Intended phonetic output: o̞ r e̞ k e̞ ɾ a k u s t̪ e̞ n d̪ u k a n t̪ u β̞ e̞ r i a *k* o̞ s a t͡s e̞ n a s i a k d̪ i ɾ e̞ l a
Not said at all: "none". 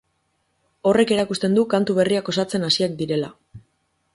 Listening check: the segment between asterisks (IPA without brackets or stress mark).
k